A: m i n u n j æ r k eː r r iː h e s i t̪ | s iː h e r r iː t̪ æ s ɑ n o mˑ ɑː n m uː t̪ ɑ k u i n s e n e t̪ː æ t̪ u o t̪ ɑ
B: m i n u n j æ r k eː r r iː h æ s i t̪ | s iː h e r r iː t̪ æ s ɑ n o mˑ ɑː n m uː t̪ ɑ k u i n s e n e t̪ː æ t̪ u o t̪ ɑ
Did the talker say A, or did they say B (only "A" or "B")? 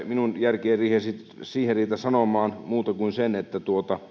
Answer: A